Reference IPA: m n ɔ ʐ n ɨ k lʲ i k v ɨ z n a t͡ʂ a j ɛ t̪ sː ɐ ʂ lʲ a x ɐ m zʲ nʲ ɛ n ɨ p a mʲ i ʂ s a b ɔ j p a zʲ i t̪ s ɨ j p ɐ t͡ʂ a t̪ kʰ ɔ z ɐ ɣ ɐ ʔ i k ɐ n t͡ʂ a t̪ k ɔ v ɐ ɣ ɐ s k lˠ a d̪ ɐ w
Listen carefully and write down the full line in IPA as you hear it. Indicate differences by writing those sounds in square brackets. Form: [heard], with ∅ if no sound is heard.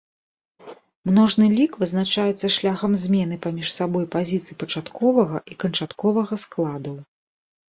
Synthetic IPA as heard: m n ɔ ʐ n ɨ [∅] lʲ i k v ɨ z n a t͡ʂ a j ɛ t̪ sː ɐ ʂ lʲ a x ɐ m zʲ [mʲ] ɛ n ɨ p a mʲ i ʂ s a b ɔ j p a zʲ i t̪ s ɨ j p ɐ t͡ʂ a t̪ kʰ ɔ [v] ɐ ɣ ɐ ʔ i k ɐ n t͡ʂ a t̪ k ɔ v ɐ ɣ ɐ s k lˠ a d̪ ɐ w